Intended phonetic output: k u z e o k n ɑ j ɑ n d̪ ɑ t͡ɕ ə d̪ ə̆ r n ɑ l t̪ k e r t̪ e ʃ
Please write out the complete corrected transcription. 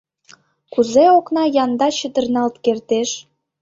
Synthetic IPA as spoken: k u z e o k n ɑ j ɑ n d̪ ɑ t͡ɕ ə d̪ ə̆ r n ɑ l t̪ k e r t̪ e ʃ